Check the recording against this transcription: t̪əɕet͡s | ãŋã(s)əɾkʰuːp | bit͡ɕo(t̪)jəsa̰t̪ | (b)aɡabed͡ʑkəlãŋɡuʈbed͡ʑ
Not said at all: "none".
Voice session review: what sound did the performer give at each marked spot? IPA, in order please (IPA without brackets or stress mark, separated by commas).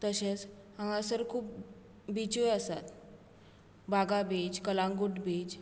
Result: s, none, b